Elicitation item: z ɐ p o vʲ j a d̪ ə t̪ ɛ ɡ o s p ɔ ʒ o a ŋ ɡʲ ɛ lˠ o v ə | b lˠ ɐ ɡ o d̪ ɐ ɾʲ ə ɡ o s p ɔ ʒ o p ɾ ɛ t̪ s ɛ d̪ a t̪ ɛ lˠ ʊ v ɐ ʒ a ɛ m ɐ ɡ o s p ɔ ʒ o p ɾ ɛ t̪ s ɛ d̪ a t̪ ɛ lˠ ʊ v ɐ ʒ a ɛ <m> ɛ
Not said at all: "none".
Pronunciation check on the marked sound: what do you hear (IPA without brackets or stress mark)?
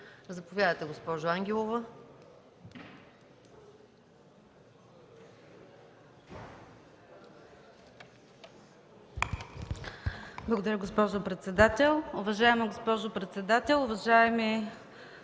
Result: m